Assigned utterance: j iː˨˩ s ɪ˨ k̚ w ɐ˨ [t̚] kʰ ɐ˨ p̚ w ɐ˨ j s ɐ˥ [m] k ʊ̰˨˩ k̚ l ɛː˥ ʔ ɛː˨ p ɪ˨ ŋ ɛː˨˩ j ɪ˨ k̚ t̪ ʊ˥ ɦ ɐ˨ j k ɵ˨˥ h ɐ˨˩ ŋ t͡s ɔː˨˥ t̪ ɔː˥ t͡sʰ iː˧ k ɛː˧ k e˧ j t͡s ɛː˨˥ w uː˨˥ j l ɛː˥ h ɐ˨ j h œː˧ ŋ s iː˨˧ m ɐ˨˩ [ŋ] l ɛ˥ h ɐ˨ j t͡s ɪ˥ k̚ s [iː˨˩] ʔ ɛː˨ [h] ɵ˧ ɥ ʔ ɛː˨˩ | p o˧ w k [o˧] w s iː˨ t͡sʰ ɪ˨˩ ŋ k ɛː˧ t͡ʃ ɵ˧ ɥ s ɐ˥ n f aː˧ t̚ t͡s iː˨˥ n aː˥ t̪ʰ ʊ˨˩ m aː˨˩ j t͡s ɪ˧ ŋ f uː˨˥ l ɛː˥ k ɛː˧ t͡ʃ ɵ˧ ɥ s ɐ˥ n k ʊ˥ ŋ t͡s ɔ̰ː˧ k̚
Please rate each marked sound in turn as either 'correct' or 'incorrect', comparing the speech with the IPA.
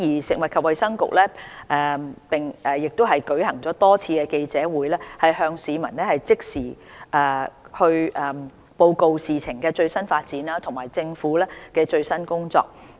correct, incorrect: ŋ, incorrect: n, correct, correct, correct

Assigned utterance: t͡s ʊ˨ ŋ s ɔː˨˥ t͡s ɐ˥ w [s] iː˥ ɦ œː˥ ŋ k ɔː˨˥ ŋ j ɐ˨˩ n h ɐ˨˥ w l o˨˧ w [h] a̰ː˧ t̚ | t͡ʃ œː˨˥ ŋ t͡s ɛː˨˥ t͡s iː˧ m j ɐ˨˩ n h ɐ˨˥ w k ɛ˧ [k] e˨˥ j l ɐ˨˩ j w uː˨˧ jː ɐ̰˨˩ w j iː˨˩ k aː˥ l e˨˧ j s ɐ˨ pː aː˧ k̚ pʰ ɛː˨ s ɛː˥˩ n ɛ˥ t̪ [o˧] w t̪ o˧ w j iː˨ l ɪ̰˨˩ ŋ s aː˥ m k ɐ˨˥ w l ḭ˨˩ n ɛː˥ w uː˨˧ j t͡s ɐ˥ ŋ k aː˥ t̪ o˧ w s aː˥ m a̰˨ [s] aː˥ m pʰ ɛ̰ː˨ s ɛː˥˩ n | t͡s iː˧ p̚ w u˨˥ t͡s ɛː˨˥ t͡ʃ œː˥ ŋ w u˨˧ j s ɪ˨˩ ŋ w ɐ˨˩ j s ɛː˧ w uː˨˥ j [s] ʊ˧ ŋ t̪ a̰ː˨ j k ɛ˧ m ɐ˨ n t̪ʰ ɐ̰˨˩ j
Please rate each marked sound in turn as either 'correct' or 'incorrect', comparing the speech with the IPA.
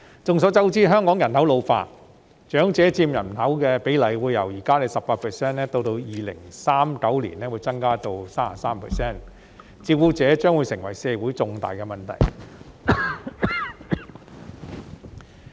incorrect: t͡s, incorrect: f, incorrect: p, correct, correct, incorrect: t͡s

